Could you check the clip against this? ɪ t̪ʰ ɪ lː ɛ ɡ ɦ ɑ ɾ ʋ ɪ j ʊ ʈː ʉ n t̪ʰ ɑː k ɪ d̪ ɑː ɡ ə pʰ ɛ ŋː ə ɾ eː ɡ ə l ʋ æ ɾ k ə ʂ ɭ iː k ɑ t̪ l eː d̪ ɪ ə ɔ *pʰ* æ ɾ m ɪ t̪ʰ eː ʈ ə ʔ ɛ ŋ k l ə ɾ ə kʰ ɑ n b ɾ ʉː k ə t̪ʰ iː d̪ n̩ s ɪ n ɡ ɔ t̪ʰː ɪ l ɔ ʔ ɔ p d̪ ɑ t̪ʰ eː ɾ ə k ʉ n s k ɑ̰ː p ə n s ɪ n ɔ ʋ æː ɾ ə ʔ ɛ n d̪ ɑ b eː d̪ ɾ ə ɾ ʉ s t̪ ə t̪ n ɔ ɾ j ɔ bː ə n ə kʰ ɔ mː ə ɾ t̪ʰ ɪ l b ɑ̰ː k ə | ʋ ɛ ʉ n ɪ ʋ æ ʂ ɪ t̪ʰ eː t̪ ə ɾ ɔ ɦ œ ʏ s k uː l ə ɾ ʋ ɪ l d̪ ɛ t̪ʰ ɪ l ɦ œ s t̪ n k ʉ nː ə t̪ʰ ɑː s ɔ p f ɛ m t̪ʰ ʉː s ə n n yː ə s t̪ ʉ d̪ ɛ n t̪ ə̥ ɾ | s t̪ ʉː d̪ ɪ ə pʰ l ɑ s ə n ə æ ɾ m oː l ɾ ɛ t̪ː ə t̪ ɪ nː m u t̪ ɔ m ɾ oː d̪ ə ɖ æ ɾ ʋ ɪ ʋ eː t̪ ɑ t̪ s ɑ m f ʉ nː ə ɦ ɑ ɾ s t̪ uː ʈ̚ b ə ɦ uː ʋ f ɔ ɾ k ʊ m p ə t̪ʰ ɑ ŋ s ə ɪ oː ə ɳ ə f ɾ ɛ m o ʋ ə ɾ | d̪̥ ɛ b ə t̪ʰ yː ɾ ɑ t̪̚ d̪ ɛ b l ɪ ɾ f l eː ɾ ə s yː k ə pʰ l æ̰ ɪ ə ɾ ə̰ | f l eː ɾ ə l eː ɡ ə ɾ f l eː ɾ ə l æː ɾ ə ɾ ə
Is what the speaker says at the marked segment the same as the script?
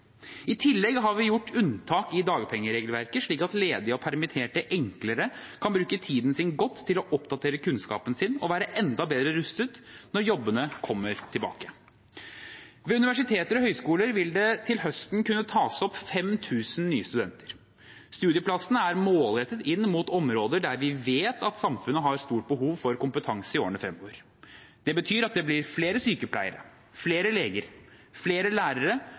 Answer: yes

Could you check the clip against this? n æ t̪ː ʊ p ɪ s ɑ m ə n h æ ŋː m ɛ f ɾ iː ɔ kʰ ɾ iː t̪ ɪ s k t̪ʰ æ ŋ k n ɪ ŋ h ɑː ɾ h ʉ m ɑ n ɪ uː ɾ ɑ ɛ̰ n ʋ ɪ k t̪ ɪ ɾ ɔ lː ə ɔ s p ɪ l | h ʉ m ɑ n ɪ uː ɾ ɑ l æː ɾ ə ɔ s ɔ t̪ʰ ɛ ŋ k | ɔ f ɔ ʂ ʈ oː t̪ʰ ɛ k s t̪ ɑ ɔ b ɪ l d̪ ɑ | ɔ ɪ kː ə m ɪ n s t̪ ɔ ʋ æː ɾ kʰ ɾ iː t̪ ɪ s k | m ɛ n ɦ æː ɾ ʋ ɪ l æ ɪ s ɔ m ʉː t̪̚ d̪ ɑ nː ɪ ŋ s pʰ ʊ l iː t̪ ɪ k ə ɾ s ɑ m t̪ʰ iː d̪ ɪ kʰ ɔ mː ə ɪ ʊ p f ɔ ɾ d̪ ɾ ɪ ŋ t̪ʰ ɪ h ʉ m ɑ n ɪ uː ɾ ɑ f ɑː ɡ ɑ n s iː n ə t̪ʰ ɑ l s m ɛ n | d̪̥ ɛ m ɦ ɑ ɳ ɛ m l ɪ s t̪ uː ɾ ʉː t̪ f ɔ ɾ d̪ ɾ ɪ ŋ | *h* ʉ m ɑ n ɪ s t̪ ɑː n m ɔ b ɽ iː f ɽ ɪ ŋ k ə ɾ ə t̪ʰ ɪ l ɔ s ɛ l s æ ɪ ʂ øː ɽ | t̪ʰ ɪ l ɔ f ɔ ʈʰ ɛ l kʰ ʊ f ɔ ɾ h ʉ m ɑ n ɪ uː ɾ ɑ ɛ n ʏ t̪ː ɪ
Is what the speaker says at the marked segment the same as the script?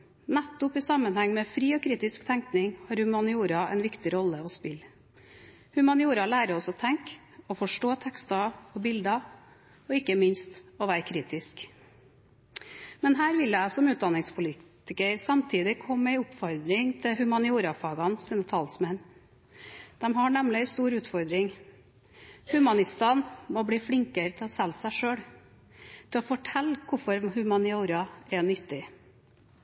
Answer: yes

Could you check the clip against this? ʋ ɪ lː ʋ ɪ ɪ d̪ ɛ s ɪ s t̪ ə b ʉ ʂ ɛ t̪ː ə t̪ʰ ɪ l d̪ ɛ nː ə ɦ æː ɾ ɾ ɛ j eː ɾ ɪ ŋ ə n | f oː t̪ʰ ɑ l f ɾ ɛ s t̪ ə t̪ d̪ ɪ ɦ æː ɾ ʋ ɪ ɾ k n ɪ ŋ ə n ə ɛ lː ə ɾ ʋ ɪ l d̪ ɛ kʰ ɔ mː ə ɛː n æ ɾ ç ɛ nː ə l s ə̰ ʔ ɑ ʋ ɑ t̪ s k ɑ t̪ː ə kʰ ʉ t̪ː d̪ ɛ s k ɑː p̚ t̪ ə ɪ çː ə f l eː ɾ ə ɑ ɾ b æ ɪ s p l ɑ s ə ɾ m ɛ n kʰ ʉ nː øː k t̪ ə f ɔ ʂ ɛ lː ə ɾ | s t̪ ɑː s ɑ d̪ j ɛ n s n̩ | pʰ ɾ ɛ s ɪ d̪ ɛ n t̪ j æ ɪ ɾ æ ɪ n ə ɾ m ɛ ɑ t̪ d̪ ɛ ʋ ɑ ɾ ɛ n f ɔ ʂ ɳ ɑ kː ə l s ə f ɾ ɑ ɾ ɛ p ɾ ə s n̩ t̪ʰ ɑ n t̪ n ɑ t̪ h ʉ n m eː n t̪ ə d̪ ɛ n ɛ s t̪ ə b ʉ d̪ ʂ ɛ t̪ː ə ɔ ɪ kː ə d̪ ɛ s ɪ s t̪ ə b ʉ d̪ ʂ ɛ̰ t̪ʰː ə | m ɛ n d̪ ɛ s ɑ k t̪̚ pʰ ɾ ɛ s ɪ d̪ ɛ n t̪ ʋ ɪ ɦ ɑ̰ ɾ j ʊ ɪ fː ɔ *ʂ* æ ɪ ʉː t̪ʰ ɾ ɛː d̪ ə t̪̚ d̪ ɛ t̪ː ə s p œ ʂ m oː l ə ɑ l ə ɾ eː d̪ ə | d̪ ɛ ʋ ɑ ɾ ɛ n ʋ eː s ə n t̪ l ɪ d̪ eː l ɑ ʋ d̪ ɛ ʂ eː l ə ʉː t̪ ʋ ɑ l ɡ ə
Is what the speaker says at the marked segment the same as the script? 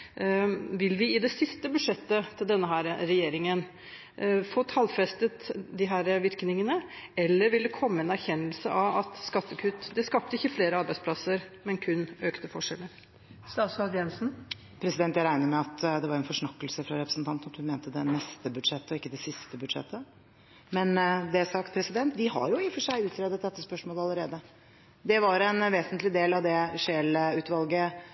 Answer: yes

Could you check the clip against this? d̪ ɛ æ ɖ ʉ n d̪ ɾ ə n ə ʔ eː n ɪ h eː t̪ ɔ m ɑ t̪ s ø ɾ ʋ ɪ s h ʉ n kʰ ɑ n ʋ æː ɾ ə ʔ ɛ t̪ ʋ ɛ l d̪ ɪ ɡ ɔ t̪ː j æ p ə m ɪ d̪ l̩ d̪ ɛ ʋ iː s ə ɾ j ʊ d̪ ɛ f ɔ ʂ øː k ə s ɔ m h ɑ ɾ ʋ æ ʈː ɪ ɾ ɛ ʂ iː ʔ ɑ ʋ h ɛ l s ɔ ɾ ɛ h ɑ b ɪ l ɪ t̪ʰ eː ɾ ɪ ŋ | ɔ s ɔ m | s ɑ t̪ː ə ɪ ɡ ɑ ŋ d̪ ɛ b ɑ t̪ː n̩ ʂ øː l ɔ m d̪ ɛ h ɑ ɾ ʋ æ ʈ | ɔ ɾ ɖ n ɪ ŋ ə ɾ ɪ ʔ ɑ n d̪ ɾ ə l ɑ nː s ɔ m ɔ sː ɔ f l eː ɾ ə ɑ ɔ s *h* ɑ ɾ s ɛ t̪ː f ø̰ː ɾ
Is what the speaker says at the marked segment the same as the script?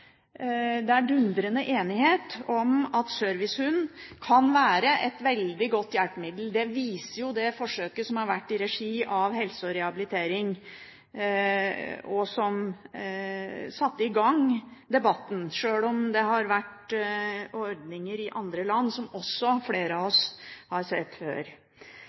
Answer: yes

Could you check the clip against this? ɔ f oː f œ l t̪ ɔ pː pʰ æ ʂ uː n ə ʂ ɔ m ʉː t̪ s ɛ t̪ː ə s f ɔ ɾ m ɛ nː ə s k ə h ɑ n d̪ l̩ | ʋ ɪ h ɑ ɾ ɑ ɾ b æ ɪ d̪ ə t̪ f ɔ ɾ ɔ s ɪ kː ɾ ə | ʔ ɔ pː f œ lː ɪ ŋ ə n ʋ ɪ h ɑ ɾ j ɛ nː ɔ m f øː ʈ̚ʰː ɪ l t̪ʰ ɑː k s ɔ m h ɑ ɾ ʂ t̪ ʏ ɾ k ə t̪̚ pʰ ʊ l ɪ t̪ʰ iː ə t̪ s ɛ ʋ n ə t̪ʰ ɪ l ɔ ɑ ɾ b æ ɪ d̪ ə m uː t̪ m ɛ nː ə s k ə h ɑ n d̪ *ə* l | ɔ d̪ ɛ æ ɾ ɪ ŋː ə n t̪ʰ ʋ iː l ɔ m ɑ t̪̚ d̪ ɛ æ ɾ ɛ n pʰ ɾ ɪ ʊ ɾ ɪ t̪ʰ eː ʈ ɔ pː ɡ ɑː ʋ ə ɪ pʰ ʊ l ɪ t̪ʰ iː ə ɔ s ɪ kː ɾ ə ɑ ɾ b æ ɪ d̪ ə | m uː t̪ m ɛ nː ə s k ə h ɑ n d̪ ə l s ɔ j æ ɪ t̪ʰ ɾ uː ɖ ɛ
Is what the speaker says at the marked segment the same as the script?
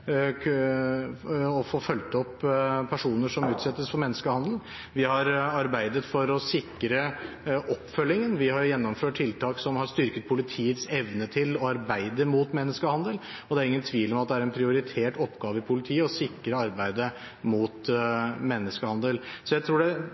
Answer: yes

